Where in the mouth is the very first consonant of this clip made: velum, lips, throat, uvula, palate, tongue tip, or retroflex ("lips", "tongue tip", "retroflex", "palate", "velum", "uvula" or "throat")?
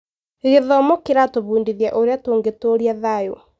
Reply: velum